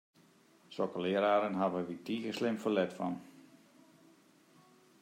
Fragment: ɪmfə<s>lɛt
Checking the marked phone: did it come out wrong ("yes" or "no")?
yes